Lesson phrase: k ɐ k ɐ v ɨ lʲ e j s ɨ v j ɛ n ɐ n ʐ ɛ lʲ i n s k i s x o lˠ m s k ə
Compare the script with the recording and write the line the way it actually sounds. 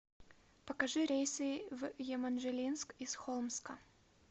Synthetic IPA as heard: p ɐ k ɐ ʐ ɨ ɾʲ e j s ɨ v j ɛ m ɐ n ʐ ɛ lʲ i n s k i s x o lˠ m s k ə

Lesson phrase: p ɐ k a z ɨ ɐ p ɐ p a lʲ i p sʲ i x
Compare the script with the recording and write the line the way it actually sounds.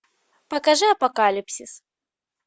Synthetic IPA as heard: p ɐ k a ʐ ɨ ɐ p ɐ k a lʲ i p sʲ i s

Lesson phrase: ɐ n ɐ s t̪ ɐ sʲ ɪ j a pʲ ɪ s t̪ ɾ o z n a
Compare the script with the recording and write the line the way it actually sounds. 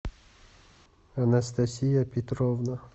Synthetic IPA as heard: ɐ n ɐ s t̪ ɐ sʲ i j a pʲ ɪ t̪ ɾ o v n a

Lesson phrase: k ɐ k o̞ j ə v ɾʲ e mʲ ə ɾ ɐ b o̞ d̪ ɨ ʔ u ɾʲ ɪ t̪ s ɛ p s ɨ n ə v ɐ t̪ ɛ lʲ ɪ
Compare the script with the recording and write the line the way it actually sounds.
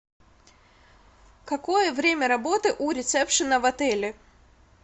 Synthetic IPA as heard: k ɐ k o̞ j ə v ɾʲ e mʲ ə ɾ ɐ b o̞ t̪ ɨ ʔ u ɾʲ ɪ t̪ s ɛ p ʂ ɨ n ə v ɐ t̪ ɛ lʲ ɪ

